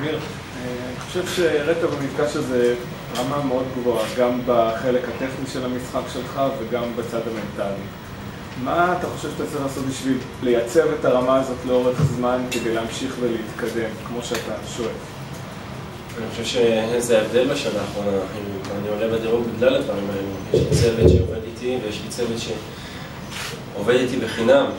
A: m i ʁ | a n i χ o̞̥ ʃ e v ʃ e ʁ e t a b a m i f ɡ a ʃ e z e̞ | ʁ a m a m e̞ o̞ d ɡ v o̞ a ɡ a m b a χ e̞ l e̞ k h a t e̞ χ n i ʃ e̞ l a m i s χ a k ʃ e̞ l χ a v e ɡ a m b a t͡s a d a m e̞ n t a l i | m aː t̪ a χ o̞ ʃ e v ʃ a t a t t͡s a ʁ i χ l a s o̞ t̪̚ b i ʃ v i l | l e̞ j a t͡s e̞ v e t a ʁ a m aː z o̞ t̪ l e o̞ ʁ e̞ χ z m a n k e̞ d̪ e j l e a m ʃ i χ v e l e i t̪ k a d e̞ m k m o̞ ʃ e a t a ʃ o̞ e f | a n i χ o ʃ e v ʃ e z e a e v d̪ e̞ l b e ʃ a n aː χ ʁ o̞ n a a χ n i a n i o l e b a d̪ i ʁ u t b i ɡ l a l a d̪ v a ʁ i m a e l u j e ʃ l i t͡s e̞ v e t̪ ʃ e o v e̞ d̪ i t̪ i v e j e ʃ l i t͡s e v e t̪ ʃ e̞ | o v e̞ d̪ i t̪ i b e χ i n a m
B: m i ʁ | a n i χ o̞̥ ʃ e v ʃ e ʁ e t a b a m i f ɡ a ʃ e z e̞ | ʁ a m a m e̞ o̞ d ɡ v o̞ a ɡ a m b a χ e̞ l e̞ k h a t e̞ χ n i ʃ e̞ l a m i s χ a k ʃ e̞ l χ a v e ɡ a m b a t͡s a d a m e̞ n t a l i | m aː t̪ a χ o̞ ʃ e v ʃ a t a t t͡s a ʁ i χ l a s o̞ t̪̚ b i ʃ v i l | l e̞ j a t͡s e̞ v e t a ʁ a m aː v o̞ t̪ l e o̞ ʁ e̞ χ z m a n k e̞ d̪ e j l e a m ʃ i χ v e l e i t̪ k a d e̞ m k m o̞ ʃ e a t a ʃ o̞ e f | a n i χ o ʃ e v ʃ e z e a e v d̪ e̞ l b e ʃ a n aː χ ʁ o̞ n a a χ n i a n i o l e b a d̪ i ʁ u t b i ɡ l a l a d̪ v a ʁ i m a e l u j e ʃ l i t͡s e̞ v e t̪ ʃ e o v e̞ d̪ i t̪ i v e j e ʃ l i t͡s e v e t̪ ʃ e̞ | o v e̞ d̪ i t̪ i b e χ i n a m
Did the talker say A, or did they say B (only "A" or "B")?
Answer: A